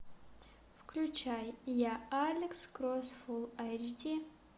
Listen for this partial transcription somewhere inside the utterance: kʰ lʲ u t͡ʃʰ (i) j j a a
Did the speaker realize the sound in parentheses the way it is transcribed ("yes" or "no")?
no